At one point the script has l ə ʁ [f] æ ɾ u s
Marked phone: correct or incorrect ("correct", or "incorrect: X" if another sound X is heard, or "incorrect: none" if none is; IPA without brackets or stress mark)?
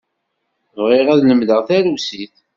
incorrect: θ